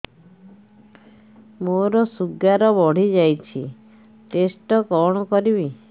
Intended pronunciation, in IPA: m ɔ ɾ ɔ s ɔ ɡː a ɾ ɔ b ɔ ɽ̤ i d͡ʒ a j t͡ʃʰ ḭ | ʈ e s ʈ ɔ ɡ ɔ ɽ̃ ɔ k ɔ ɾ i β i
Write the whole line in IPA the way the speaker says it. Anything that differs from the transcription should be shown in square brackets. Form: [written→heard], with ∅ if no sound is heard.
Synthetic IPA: m [ɔ→o] ɾ ɔ s [ɔ→u] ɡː a ɾ ɔ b ɔ ɽ̤ i d͡ʒ a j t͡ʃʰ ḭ | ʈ e s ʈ ɔ [ɡ→k] ɔ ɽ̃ ɔ k ɔ ɾ i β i